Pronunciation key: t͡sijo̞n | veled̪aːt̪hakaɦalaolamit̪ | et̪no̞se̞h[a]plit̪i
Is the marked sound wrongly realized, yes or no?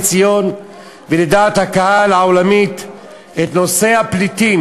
no